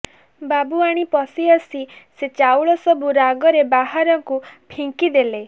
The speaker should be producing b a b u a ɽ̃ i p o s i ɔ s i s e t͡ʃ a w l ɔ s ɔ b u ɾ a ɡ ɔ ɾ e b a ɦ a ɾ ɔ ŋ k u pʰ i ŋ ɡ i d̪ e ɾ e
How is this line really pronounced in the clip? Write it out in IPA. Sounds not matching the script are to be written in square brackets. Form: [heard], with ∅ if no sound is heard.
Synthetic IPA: b a b u a ɽ̃ i p [ɔ] s i ɔ s i s e t͡ʃ a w [ɭ] ɔ s ɔ b u ɾ a ɡ ɔ ɾ e b a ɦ a ɾ ɔ ŋ k u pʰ i ŋ [k] i d̪ e [l] e